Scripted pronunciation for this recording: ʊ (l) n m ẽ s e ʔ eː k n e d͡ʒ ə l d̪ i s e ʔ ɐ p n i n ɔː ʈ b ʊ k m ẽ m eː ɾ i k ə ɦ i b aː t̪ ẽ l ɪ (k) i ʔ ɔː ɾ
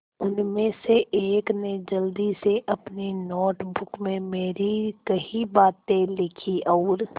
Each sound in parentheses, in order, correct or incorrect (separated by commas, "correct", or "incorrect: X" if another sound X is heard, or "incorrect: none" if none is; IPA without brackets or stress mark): incorrect: none, incorrect: kʰ